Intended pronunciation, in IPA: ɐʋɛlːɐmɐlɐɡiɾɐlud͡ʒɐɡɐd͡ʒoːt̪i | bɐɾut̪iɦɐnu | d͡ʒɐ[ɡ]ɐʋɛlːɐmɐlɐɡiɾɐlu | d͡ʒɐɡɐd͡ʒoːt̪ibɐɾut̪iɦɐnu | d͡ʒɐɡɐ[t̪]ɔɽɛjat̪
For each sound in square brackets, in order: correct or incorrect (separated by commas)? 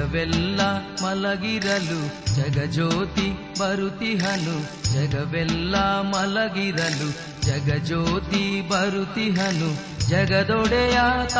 correct, incorrect